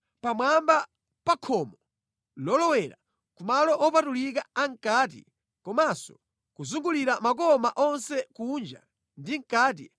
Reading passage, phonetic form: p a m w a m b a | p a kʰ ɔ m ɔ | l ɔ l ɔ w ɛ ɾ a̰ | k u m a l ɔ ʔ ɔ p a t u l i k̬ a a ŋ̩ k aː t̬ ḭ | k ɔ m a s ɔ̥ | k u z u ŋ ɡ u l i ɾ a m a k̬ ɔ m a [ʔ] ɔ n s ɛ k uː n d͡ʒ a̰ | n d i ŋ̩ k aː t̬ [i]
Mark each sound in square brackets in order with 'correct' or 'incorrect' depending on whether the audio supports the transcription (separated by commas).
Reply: correct, correct